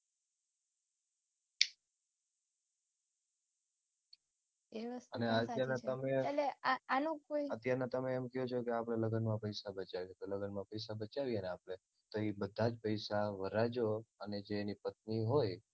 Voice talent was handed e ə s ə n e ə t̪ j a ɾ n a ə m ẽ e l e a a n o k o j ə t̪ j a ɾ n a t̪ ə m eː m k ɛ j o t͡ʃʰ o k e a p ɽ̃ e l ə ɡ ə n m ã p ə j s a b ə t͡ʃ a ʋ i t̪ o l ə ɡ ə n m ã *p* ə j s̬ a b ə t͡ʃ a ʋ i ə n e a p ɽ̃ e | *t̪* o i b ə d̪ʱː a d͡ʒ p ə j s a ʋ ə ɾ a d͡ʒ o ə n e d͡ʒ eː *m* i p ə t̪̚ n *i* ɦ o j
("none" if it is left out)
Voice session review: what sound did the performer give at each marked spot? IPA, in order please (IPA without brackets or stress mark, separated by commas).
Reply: p, t̪, n, i